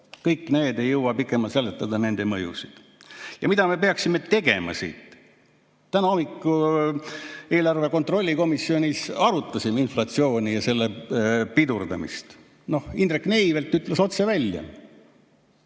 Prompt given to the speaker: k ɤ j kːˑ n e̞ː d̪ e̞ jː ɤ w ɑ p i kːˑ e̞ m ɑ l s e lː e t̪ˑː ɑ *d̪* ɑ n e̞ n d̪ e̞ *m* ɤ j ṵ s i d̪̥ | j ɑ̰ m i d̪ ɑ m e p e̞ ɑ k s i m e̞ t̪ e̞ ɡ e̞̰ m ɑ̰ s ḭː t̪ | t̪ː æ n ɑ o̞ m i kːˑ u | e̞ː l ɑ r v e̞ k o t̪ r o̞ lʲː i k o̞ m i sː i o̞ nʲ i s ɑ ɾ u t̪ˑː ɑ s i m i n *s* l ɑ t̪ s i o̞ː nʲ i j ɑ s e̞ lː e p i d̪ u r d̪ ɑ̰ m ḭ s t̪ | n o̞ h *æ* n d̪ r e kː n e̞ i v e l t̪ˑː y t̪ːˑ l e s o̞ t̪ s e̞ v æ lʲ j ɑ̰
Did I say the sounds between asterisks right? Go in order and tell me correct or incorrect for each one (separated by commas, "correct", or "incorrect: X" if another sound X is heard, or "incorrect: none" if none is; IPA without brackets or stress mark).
correct, correct, incorrect: f, incorrect: i